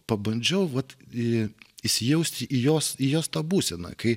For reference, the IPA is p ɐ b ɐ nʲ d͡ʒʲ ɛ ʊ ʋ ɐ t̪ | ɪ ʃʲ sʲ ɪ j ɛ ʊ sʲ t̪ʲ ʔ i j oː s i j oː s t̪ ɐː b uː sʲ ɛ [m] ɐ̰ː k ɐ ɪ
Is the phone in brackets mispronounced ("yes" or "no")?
yes